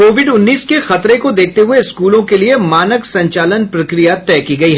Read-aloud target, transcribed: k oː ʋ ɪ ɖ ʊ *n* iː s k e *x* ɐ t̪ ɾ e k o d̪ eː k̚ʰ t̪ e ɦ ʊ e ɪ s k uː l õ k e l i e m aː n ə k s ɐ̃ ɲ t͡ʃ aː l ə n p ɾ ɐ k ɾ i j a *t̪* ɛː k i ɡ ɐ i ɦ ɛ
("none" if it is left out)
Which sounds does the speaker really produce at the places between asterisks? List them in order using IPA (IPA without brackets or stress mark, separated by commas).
nː, x, t̪